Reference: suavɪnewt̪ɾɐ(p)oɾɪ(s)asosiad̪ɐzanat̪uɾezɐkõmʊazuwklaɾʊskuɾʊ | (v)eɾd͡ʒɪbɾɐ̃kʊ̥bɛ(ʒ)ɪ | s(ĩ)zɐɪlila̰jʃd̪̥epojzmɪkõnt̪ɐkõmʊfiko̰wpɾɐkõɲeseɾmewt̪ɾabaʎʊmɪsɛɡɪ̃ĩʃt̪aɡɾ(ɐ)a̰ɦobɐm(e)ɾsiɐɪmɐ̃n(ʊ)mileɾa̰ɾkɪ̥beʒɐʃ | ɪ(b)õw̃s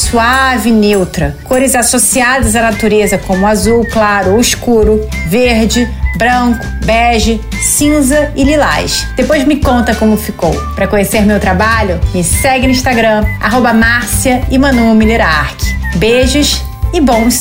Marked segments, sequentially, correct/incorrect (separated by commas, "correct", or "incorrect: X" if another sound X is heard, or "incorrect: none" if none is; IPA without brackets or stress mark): incorrect: k, incorrect: z, correct, correct, correct, incorrect: ɐ̃, incorrect: a, incorrect: u, correct